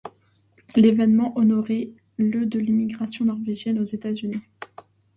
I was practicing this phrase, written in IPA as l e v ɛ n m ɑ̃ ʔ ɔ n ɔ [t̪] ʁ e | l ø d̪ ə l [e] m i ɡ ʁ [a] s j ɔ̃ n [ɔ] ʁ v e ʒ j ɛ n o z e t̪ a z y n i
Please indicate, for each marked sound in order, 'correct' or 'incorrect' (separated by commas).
incorrect, incorrect, correct, correct